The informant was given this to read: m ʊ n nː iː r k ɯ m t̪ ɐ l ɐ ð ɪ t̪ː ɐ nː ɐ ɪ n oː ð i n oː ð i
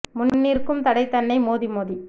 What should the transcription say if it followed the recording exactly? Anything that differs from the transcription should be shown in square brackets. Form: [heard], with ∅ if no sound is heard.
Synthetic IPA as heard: m ʊ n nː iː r k ɯ m t̪ ɐ [ɽ] ɐ [∅] ɪ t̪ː ɐ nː ɐ ɪ [m] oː ð i [m] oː ð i